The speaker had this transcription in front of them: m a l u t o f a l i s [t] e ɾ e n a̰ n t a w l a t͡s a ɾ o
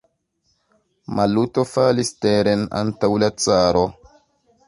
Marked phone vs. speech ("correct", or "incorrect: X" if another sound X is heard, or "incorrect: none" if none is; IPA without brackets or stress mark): correct